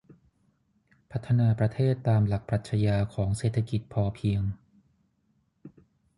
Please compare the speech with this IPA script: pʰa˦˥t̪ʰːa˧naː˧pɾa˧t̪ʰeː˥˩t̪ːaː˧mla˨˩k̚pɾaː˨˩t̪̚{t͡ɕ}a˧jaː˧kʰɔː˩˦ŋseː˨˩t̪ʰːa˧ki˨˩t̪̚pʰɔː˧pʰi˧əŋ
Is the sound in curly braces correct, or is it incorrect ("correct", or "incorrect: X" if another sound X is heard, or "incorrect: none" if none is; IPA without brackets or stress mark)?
incorrect: t͡ɕʰ